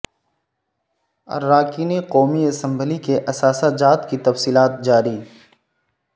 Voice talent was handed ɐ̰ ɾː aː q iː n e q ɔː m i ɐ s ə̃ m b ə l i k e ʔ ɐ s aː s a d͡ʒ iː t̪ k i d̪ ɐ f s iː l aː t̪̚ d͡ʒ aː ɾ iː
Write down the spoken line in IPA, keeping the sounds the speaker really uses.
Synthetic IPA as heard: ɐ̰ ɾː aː k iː n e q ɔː m i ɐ s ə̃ m b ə l i k e ʔ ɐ s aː s a d͡ʒ aː t̪ k i t̪ ɐ f s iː l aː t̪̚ d͡ʒ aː ɾ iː